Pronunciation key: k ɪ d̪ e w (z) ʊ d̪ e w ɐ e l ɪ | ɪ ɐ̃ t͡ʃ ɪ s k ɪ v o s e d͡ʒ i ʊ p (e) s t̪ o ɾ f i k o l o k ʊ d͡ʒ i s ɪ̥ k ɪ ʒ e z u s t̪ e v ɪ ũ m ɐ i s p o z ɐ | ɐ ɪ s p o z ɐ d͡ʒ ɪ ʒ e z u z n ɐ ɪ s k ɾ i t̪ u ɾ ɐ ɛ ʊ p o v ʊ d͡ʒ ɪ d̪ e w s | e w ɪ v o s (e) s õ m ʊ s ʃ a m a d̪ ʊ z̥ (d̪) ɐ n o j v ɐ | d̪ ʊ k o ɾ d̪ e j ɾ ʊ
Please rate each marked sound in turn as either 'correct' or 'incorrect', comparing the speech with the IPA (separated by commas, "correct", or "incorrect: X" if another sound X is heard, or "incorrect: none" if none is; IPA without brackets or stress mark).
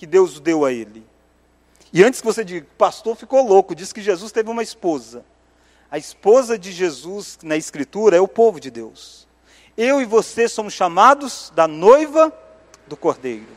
correct, incorrect: a, correct, correct